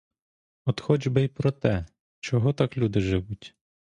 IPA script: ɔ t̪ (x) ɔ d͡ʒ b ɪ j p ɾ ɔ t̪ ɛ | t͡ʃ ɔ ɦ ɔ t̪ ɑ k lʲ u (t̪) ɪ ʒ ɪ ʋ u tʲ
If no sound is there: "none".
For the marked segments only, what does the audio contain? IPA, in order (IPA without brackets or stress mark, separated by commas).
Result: x, d̪